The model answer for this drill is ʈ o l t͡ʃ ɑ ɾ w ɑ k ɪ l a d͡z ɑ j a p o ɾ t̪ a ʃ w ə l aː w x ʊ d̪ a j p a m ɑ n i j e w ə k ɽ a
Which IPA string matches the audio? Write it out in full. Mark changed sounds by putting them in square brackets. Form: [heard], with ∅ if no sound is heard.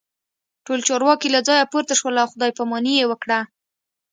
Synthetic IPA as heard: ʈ o l t͡ʃ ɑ ɾ w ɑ k [i] l a d͡z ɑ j a p o ɾ t̪ a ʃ w ə l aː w x ʊ d̪ [ɑ] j p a m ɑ n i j e w ə k ɽ a